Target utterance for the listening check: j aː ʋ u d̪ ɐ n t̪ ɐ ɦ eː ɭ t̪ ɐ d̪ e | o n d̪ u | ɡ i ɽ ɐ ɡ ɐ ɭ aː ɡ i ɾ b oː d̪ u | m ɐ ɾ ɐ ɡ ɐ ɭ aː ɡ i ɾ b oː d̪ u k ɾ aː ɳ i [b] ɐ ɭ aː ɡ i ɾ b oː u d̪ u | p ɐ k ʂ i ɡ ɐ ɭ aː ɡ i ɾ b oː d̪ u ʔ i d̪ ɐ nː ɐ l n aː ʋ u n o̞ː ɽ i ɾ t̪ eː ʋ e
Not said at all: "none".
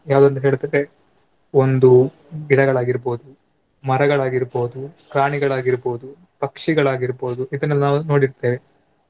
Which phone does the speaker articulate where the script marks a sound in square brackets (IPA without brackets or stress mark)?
ɡ